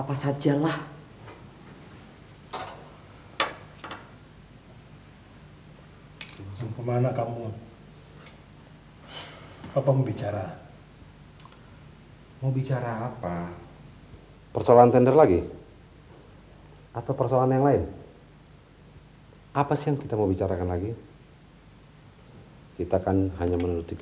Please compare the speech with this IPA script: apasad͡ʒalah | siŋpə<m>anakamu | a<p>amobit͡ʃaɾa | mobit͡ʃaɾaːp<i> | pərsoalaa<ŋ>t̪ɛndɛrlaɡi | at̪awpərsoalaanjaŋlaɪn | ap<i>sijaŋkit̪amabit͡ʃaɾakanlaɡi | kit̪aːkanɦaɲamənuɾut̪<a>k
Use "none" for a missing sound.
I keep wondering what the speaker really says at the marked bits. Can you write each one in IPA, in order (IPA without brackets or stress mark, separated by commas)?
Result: m, p, a, n, a, i